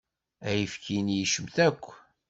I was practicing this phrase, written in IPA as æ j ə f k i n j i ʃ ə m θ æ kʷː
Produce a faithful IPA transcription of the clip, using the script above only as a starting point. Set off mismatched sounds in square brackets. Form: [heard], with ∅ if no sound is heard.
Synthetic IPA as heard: æ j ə f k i n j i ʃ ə m θ æ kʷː

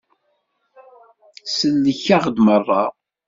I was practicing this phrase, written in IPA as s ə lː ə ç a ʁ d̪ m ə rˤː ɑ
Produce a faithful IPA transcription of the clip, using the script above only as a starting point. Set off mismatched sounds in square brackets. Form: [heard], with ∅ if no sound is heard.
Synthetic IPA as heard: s ə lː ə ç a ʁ d̪ m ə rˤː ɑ

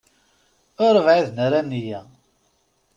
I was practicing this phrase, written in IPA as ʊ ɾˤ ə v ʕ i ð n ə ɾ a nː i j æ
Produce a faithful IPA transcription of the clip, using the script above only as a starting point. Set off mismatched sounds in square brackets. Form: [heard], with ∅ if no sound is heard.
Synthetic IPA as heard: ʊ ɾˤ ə v ʕ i ð n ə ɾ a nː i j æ

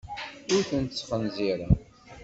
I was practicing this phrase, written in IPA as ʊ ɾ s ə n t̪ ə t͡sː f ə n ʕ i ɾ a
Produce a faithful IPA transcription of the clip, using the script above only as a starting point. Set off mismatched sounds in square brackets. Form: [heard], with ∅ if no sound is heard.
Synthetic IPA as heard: ʊ ɾ [θ] ə n t̪ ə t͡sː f ə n [z] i ɾ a

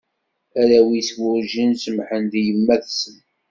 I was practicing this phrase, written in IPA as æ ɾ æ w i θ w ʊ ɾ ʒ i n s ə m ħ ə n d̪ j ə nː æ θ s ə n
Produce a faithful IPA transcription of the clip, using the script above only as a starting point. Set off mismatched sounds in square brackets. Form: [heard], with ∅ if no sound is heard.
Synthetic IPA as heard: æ ɾ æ w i [s] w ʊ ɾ ʒ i n s ə m ħ ə n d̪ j ə [mː] æ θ s ə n

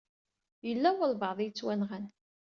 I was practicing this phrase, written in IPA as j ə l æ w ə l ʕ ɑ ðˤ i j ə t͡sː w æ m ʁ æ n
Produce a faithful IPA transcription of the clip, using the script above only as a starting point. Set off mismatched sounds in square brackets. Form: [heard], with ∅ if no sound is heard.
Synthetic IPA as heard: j ə [lː] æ w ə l [v] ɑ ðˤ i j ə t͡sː w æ [n] ʁ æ n

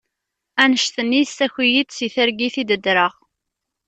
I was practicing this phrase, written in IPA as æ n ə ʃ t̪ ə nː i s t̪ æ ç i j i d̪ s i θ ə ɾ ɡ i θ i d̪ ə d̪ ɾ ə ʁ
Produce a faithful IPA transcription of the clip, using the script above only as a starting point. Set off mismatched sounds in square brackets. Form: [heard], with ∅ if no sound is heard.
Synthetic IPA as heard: æ n ə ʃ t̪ ə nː i s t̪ æ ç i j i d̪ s i θ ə ɾ ɡ i θ i d̪ ə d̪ ɾ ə ʁ

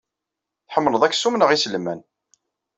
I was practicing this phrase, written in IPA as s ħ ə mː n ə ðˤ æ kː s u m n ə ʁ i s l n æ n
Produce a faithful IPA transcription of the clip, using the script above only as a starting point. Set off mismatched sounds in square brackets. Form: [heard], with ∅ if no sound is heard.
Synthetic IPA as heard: [θ] ħ ə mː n ə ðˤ æ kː s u m n ə ʁ i s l [m] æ n

